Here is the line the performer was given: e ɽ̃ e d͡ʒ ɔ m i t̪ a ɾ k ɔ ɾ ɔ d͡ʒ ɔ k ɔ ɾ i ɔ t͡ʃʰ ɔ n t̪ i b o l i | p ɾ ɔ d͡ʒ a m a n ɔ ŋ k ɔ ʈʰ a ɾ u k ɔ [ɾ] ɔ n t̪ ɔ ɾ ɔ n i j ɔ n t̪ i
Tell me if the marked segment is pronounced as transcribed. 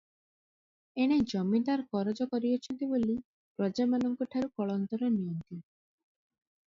no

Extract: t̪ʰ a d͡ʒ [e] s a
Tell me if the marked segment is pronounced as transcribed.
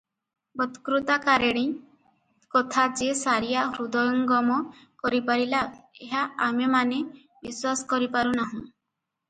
yes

